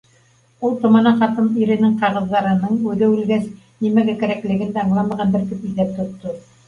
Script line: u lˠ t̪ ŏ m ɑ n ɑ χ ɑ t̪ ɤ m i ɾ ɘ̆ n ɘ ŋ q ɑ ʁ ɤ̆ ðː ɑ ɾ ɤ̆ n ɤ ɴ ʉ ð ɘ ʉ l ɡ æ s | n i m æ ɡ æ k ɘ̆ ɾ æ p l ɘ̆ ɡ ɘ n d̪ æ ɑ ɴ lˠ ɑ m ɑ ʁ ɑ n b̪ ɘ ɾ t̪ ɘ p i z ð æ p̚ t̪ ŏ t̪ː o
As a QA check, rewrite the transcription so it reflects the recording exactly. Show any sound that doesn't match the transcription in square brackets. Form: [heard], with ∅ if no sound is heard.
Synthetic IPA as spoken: u lˠ t̪ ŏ m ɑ n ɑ χ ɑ t̪ ɤ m i ɾ ɘ̆ n ɘ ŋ q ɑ ʁ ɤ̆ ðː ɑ ɾ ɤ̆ n ɤ ɴ ʉ ð ɘ ʉ l ɡ æ s | n i m æ ɡ æ k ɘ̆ ɾ æ [k] l ɘ̆ ɡ ɘ n d̪ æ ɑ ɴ lˠ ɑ m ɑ ʁ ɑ n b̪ ɘ ɾ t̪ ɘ p i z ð æ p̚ t̪ ŏ t̪ː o